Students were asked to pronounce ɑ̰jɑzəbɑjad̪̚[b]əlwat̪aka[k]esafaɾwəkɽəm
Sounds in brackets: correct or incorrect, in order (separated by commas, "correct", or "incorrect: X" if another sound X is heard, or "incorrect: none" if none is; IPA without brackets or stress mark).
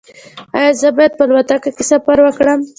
incorrect: p, correct